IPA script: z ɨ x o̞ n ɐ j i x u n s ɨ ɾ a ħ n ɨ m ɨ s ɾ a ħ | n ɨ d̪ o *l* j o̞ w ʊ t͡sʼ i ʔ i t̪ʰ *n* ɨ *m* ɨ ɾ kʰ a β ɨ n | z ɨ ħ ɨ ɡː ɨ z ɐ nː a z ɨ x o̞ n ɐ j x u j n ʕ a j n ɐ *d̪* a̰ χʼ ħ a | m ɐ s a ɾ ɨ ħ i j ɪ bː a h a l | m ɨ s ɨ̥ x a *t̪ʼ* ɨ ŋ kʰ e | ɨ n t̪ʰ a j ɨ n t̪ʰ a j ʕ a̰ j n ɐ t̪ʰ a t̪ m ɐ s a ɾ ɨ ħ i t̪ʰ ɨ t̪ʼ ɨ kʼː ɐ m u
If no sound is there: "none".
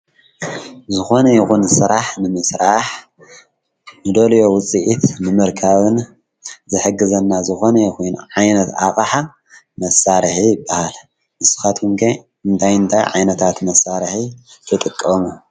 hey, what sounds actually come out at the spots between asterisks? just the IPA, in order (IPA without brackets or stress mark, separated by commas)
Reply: l, n, m, t̪, t̪